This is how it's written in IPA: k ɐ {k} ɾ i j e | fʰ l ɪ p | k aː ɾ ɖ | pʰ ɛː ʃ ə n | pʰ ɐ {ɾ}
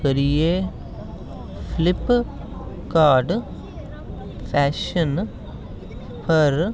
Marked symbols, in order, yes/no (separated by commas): no, yes